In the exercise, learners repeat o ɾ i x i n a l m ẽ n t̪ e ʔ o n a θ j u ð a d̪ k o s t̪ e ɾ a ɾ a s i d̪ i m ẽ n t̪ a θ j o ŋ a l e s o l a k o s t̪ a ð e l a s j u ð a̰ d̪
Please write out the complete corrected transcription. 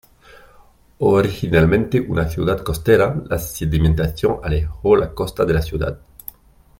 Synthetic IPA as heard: o ɾ i x i n a l m ẽ n t̪ e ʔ u n a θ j u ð a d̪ k o s t̪ e ɾ a l a s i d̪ i m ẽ n t̪ a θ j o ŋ a l e x o l a k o s t̪ a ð e l a s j u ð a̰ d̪